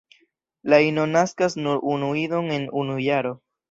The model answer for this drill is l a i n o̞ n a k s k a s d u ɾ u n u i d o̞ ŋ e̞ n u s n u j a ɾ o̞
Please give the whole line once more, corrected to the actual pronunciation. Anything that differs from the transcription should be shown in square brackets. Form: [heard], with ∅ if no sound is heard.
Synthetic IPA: l a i n o̞ n a [∅] s k a s [n] u ɾ u n u i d o̞ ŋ e̞ n u [∅] n u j a ɾ o̞